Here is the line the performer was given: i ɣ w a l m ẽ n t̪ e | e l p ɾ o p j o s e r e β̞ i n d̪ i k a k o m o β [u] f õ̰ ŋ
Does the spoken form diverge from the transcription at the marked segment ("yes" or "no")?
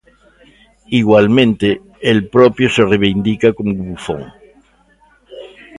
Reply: no